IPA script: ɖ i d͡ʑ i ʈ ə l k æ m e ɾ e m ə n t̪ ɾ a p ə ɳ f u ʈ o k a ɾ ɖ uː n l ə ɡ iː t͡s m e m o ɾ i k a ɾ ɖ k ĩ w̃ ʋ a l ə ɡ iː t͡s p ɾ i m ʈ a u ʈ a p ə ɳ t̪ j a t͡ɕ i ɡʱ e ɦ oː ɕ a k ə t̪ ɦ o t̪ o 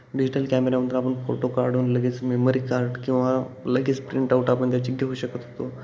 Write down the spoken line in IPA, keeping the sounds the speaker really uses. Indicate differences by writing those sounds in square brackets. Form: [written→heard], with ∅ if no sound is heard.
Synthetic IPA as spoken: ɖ i d͡ʑ i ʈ ə l k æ m e ɾ [e→a] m ə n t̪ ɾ a p ə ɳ f [u→o] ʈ o k a ɾ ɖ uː n l ə ɡ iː t͡s m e m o ɾ i k a ɾ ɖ k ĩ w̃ ʋ a l ə ɡ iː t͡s p ɾ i [m→ɳ] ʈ a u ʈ a p ə ɳ t̪ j a t͡ɕ i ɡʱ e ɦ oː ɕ [a→ə] k ə t̪ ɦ o t̪ o